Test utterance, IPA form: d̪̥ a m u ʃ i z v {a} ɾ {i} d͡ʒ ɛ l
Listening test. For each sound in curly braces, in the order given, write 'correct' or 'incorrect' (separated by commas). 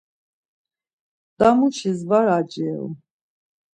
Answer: correct, incorrect